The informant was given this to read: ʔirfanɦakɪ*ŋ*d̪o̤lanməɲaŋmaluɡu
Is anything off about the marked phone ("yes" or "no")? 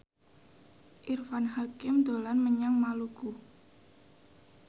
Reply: yes